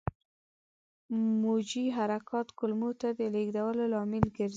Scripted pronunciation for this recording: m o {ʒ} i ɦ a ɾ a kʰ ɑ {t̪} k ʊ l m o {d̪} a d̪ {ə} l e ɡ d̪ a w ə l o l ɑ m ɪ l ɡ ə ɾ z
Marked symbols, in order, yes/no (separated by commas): no, yes, no, yes